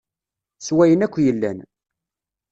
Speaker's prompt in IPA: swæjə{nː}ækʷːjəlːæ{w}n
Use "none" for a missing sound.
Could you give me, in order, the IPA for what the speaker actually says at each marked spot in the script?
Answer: n, none

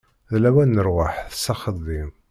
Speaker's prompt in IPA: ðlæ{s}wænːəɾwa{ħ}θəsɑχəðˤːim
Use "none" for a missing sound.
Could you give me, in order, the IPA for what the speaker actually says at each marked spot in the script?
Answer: none, ħ

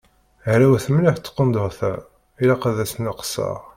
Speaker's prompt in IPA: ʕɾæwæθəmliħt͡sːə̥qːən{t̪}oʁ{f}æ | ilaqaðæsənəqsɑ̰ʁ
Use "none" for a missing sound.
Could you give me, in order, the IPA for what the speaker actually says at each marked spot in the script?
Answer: d̪, θ

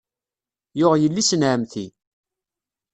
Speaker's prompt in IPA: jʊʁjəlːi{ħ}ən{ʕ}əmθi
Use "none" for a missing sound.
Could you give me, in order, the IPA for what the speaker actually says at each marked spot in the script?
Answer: s, ʕ

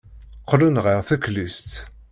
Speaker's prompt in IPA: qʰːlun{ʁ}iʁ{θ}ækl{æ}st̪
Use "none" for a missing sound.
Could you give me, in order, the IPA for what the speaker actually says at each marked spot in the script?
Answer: ʁ, θ, i

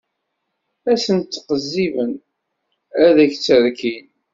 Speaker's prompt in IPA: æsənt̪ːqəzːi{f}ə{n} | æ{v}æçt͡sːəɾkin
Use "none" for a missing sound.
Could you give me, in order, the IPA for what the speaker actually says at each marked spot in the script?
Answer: v, n, ð

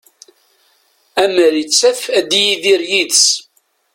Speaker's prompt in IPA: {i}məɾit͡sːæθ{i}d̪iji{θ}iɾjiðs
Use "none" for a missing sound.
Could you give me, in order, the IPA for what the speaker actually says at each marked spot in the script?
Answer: æ, æ, ð

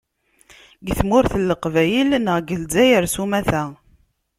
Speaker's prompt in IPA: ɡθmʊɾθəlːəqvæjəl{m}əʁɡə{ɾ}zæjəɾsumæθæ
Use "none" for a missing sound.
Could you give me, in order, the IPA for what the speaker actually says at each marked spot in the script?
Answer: n, l

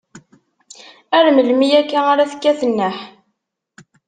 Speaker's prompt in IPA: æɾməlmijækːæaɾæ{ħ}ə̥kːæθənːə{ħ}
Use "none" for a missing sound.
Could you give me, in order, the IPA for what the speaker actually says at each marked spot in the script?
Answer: θ, ħ

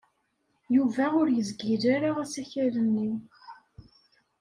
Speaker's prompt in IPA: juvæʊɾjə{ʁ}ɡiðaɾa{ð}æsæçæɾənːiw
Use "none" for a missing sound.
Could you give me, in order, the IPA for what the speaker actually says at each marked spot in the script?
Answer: z, ʁ

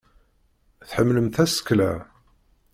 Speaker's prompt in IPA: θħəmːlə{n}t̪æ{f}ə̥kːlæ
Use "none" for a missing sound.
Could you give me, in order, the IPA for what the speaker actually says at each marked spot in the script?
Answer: m, s

